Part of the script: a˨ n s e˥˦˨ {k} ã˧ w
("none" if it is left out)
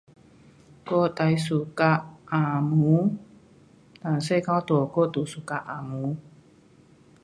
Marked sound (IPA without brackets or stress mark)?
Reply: k